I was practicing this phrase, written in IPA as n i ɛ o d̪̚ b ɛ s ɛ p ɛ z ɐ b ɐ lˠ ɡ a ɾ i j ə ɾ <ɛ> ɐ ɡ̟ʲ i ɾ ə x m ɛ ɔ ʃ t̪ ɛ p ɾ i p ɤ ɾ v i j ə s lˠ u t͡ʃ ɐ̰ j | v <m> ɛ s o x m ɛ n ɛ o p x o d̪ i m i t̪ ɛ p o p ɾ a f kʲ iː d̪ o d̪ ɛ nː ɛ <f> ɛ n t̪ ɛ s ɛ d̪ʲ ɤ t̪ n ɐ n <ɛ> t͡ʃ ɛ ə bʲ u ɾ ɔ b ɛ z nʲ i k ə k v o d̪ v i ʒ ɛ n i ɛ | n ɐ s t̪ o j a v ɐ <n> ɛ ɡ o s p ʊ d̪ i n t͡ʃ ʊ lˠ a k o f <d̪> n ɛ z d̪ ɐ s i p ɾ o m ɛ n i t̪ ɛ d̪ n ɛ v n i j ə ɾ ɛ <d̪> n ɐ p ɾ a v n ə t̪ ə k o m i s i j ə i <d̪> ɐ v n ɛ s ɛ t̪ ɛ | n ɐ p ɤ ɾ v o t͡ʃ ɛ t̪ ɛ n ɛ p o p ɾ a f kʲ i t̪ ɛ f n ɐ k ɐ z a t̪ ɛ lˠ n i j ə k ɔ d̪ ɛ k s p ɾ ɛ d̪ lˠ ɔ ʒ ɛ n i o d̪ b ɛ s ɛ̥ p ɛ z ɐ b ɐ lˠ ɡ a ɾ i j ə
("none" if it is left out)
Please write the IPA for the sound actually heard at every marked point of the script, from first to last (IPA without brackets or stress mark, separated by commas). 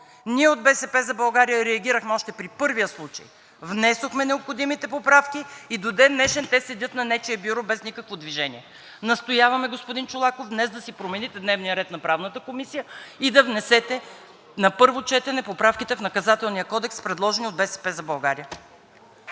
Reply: ɛ, n, ʃ, ɛ, m, d̪, t̪, d̪